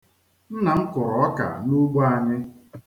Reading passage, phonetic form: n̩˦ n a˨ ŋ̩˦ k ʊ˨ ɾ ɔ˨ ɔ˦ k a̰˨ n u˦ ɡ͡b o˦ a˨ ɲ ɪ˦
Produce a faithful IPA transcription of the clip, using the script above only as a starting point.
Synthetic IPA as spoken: n̩˦ n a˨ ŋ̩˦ k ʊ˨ ɾ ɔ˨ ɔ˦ k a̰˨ n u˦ ɡ͡b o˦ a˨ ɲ ɪ˦